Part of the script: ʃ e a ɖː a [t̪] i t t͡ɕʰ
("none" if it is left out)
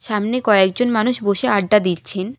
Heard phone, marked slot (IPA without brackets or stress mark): d̪